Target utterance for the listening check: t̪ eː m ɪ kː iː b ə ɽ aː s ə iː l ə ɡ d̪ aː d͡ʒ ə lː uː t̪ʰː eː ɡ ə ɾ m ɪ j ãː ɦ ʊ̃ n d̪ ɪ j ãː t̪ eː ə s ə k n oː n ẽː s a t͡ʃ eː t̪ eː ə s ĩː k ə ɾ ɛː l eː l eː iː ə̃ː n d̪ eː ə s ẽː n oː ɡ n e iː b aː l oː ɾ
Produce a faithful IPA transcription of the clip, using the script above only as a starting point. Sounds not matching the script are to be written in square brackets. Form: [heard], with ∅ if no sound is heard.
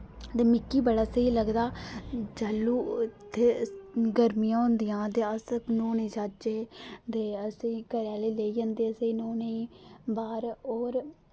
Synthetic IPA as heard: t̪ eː m ɪ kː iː b ə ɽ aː s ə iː l ə ɡ d̪ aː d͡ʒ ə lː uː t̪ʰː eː ɡ ə ɾ m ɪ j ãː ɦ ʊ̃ n d̪ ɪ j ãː t̪ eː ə s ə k n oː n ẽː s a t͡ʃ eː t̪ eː ə s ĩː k ə ɾ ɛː l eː l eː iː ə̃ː n d̪ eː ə s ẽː n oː [∅] n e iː b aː [ɾ] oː ɾ